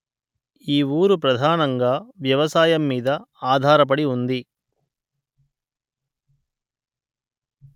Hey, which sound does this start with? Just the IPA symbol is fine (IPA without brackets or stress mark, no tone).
iː